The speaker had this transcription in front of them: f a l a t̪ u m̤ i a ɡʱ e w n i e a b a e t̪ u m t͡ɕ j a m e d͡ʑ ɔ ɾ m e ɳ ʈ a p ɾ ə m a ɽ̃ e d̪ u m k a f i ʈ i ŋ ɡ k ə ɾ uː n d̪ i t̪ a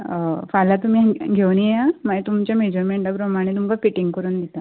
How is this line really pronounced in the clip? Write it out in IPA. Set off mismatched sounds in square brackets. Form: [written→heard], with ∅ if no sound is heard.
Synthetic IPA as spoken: f a l a t̪ u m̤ i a ɡʱ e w n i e a [b→m] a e t̪ u m t͡ɕ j a m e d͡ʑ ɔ ɾ m e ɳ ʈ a p ɾ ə m a ɽ̃ e [d̪→t̪] u m k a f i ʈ i ŋ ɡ k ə ɾ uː n d̪ i t̪ a